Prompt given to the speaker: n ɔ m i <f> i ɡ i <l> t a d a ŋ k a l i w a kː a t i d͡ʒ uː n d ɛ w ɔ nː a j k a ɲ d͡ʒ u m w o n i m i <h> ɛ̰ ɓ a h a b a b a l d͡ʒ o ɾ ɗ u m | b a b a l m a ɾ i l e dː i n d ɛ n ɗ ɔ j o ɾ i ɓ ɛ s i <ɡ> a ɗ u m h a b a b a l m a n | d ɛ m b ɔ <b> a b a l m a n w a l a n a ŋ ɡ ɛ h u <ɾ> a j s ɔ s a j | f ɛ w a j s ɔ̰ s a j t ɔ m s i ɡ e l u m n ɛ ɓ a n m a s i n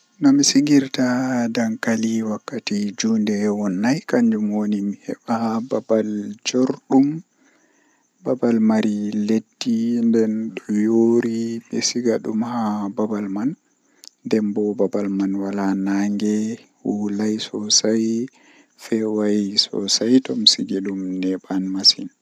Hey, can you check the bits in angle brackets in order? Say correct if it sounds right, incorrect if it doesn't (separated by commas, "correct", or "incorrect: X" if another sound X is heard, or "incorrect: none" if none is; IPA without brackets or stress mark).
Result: incorrect: s, incorrect: ɾ, correct, correct, correct, incorrect: l